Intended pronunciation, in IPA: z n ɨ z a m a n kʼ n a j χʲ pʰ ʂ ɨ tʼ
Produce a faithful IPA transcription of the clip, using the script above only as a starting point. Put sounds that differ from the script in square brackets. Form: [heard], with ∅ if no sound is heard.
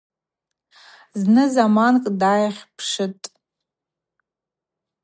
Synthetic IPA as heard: z n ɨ z a m a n kʼ [d] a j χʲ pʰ ʂ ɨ tʼ